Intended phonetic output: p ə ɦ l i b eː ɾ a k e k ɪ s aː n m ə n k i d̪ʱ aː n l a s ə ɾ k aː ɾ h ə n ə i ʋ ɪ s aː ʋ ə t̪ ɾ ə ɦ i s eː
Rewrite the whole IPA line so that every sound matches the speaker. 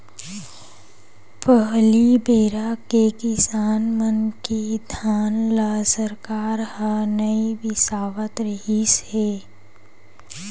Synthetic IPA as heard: p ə ɦ l i b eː ɾ a k e k ɪ s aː n m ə n k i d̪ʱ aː n l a s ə ɾ k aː ɾ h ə n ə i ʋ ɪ s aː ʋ ə t̪ ɾ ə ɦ i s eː